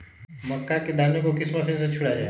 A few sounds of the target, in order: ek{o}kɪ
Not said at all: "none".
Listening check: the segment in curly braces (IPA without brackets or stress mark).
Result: o